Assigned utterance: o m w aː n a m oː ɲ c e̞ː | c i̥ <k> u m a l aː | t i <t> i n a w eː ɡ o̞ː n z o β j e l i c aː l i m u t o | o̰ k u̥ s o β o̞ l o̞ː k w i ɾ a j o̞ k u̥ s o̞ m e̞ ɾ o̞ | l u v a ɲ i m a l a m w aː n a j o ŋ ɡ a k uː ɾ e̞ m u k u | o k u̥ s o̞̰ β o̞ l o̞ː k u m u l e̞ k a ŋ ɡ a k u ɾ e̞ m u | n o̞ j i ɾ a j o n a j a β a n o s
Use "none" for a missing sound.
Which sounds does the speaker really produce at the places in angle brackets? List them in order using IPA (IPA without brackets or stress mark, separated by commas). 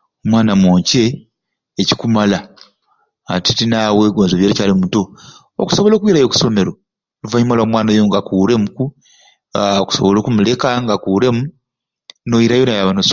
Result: k, t